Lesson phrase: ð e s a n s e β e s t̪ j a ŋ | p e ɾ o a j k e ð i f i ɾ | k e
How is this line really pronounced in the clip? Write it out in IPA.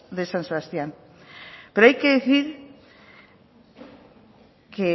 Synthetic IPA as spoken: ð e s a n s e β a s t̪ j a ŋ | p e ɾ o a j k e ð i θ i ɾ | k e